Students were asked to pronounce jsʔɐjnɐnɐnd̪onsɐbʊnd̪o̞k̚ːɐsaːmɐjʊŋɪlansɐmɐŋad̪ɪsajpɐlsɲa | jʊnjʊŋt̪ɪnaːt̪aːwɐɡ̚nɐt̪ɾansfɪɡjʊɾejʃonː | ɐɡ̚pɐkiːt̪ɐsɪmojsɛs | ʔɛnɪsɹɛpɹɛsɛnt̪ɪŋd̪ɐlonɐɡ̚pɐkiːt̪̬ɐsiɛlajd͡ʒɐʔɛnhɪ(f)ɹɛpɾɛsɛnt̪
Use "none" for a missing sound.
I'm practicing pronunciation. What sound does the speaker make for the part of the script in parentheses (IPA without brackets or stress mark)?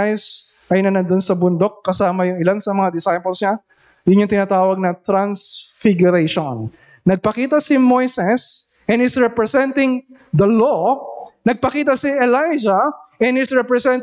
s